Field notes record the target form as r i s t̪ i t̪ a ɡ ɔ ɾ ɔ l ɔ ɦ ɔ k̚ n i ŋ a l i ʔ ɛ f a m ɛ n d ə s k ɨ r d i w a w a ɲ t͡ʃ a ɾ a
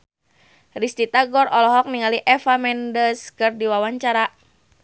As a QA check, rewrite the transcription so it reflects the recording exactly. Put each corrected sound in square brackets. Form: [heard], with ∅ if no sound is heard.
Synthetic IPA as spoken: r i s t̪ i t̪ a ɡ ɔ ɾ ɔ l ɔ ɦ ɔ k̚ n i ŋ a l i ʔ ɛ f a m ɛ n d ə s k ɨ r d i w a w a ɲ t͡ʃ a ɾ a